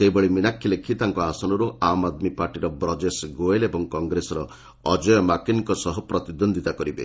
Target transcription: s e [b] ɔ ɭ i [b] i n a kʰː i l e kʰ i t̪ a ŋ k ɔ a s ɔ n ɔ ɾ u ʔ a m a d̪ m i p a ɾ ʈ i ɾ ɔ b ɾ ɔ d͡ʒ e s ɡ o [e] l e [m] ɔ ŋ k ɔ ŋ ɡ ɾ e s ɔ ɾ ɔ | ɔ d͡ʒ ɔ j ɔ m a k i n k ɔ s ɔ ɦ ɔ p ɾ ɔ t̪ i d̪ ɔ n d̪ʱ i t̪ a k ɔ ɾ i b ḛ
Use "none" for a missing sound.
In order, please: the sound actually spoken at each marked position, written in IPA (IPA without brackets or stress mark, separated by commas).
b, m, e, b